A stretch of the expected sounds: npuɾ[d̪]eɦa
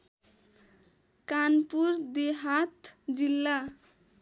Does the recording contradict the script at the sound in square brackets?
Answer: no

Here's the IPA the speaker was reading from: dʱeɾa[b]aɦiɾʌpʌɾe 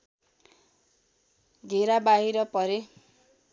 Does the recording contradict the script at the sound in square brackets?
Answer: no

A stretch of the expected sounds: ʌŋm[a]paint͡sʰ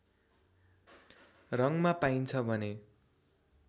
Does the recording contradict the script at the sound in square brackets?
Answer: no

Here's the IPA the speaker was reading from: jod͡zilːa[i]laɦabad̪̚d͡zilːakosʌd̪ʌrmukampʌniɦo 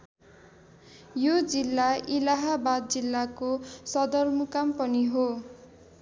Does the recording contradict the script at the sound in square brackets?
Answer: no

